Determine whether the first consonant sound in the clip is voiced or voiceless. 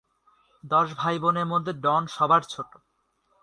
voiced